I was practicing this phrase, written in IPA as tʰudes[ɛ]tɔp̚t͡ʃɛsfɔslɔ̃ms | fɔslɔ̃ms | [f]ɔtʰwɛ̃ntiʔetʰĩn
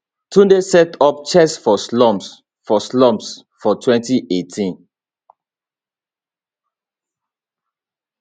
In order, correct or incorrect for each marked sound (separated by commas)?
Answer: correct, correct